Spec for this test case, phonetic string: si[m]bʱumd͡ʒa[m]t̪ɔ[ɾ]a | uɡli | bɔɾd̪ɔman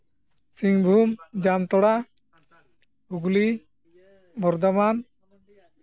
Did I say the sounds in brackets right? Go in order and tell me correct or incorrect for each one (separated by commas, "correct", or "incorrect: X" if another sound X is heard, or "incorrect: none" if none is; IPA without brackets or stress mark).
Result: incorrect: ŋ, correct, incorrect: ɽ